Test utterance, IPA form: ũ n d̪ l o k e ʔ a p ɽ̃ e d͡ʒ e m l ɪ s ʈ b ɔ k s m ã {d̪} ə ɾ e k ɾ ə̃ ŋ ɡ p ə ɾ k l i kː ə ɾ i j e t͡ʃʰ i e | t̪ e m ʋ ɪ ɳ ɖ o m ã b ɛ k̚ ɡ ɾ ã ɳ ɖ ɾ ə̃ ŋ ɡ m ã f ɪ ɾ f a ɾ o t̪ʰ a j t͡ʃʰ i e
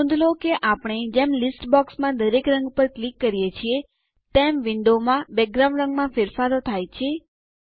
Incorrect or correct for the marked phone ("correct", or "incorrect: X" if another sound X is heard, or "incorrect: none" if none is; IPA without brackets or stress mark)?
correct